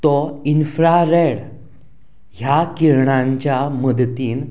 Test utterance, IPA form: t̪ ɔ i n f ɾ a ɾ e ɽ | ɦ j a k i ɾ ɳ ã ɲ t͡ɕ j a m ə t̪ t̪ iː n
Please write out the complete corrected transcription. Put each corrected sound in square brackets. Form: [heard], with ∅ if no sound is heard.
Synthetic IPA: t̪ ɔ i n f ɾ a ɾ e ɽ | ɦ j a k i ɾ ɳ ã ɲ t͡ɕ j a m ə [d̪] t̪ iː n